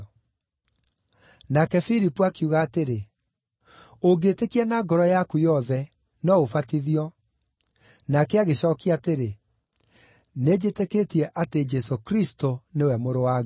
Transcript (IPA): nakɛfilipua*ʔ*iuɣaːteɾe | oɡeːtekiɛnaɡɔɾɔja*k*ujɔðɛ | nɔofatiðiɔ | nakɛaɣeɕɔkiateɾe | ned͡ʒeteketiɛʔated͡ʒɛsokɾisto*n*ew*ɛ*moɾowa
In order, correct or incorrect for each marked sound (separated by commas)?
incorrect, correct, correct, correct